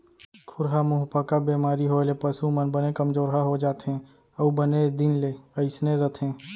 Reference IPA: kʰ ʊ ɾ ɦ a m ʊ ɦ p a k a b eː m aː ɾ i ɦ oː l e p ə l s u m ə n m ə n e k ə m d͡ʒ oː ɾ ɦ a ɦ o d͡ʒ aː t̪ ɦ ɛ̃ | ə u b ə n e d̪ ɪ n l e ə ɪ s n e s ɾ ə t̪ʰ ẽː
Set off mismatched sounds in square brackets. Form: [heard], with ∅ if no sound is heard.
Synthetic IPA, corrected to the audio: kʰ ʊ ɾ ɦ a m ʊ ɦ p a k a b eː m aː ɾ i ɦ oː l e p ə [∅] s u m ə n [b] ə n e k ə m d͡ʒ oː ɾ ɦ a ɦ o d͡ʒ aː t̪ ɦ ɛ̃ | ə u b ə n e d̪ ɪ n l e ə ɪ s n e [∅] ɾ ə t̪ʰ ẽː